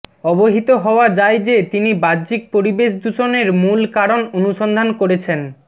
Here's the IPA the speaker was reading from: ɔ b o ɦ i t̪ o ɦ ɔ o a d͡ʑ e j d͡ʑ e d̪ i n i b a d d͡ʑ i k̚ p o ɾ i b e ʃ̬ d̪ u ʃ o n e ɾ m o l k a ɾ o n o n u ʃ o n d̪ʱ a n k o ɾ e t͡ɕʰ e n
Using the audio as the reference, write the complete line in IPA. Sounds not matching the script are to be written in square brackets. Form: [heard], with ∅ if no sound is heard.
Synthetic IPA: ɔ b o ɦ i t̪ o ɦ ɔ o a d͡ʑ [a] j d͡ʑ e [t̪] i n i b a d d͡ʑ i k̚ p o ɾ i b e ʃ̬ d̪ u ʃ o n e ɾ m [u] l k a ɾ o n o n u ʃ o n d̪ʱ a n k o ɾ e t͡ɕʰ e n